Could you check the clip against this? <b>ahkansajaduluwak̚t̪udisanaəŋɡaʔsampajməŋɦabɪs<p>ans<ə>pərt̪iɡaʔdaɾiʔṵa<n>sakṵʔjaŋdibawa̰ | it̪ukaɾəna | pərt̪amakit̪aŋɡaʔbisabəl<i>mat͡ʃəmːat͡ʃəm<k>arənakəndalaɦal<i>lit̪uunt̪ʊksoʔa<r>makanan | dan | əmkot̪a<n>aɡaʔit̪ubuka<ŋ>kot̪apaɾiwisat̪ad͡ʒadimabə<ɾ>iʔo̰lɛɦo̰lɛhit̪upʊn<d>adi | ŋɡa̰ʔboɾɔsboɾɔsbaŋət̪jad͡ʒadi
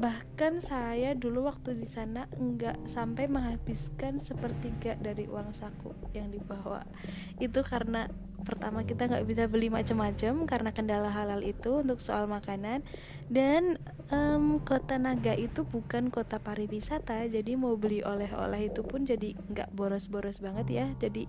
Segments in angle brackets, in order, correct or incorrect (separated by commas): correct, incorrect, correct, incorrect, correct, correct, incorrect, incorrect, correct, incorrect, incorrect, incorrect